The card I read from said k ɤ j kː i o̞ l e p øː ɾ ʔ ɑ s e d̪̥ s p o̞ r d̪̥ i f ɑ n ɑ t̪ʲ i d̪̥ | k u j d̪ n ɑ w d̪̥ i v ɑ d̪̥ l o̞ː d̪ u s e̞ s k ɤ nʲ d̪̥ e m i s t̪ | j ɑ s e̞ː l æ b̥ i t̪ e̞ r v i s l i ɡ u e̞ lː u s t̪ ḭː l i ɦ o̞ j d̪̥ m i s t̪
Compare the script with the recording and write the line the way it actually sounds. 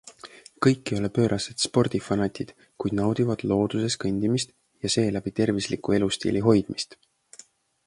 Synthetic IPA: k ɤ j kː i o̞ l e p øː ɾ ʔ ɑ s e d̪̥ s p o̞ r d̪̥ i f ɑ n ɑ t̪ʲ i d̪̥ | k u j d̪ n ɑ w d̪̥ i v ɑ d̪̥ l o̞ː d̪ u s e̞ s k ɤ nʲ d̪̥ i m i s t̪ | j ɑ s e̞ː l æ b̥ i t̪ e̞ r v i s l i k u e̞ l u s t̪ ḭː l i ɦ o̞ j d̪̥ m i s t̪